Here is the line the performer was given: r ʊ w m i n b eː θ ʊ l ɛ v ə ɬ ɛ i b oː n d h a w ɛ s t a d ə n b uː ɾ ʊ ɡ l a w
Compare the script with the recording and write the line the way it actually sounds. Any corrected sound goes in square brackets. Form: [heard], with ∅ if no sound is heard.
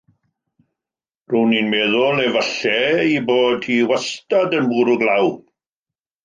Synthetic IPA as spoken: r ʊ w [n] i n [m] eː [ð] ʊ l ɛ v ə ɬ ɛ i b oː [∅] d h [i] w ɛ s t a d ə n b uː ɾ ʊ ɡ l a w